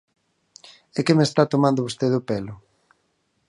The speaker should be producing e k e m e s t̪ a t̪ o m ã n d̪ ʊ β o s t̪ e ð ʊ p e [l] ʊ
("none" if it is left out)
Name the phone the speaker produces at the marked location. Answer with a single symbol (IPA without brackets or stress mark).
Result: l